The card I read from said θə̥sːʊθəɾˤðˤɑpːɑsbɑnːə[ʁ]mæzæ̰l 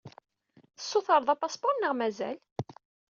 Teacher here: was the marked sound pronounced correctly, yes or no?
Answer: yes